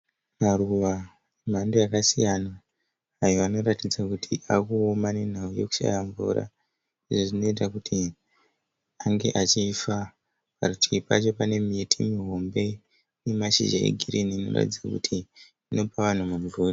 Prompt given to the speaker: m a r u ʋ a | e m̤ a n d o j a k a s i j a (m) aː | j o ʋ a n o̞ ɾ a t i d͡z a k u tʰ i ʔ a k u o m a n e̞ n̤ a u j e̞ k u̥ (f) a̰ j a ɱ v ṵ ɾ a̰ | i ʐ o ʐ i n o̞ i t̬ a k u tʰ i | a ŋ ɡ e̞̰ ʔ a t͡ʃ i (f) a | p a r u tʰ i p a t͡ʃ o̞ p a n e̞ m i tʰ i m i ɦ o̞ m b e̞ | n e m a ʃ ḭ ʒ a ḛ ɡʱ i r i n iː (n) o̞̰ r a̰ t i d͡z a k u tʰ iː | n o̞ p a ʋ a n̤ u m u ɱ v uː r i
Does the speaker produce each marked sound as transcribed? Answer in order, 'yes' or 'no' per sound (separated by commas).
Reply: no, no, yes, yes